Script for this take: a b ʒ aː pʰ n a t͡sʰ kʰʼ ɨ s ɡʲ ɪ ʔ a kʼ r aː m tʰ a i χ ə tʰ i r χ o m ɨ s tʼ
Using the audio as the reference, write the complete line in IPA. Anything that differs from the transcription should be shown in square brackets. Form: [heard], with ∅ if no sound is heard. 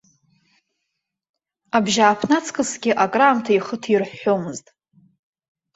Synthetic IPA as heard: a b ʒ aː pʰ n a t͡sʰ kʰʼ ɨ s ɡʲ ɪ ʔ a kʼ r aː m tʰ a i χ ə tʰ i r [ħ] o m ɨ [z] tʼ